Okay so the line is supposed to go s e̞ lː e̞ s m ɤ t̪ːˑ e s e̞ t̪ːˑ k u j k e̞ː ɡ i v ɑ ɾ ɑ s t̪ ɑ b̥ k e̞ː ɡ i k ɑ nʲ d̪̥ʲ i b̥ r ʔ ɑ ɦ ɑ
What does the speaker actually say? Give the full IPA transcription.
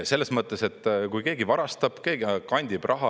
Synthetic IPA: s e̞ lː e̞ s m ɤ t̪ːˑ e s e̞ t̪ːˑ k u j k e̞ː ɡ i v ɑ ɾ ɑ s t̪ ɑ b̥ k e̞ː ɡ i k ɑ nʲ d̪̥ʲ i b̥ r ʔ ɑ ɦ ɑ